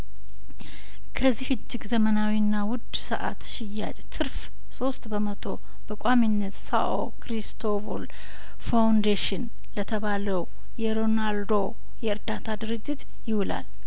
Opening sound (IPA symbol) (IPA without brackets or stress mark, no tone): kʰ